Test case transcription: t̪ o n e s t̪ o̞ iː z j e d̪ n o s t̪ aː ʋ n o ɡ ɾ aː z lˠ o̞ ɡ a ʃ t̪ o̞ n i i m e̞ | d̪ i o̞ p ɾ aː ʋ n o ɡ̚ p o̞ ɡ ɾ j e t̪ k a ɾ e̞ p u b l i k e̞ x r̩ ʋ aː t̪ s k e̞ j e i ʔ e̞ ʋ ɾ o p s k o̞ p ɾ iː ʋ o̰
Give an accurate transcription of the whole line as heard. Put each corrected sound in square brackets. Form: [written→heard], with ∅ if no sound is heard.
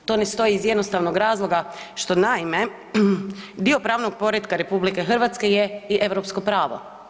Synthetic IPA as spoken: t̪ o n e s t̪ o̞ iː z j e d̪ n o s t̪ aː ʋ n o ɡ ɾ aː z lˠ o̞ ɡ a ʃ t̪ o̞ n [i→a] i m e̞ | d̪ i o̞ p ɾ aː ʋ n o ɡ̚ p o̞ [ɡ→∅] ɾ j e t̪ k a ɾ e̞ p u b l i k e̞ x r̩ ʋ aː t̪ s k e̞ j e i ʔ e̞ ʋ ɾ o p s k o̞ p ɾ [iː→aː] ʋ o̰